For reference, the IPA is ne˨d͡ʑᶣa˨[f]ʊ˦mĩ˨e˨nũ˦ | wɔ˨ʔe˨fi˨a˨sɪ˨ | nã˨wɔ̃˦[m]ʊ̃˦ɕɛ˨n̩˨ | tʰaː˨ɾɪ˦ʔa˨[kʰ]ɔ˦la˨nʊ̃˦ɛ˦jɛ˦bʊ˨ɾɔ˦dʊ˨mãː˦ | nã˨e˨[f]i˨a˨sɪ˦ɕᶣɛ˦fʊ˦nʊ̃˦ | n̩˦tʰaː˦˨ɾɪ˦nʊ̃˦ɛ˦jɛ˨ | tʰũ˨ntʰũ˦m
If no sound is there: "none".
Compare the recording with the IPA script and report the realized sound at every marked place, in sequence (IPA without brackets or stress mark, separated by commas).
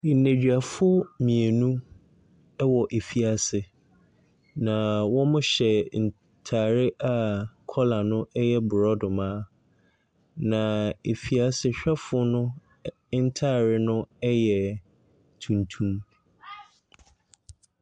f, m, kʰ, f